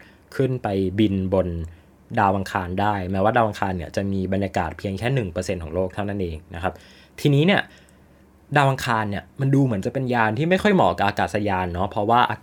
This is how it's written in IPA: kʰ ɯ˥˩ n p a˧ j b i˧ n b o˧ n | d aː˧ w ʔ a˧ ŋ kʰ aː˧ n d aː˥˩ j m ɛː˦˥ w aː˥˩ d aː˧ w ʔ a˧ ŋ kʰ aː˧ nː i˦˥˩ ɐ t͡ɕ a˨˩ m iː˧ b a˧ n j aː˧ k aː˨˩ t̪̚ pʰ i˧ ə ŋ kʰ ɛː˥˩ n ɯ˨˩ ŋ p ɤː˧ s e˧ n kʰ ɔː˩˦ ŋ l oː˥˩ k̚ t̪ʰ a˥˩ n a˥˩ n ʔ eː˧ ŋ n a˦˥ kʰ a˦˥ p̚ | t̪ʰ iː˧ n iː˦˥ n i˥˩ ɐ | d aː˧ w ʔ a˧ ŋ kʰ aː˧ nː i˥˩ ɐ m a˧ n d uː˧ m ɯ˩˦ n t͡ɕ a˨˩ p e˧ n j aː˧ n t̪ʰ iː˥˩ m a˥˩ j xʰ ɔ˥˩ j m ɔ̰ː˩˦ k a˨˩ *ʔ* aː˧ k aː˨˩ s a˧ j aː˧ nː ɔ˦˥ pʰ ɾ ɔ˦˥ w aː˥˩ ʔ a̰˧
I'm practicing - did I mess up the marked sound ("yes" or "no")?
no